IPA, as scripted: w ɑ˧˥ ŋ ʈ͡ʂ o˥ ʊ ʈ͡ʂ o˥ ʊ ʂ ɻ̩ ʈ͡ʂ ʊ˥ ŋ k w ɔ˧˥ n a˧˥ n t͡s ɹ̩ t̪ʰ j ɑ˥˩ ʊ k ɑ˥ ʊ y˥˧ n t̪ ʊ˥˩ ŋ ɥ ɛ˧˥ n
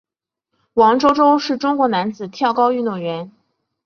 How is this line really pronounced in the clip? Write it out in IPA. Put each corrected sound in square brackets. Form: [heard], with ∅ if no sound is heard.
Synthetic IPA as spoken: w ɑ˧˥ ŋ ʈ͡ʂ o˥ ʊ ʈ͡ʂ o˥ ʊ ʂ ɻ̩ ʈ͡ʂ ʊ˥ ŋ k w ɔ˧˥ n a˧˥ n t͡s ɹ̩ t̪ʰ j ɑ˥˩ ʊ k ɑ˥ ʊ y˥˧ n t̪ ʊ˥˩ ŋ ɥ ɛ˧˥ n